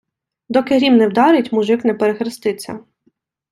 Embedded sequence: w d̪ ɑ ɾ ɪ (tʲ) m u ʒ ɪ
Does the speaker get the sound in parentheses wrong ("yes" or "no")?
no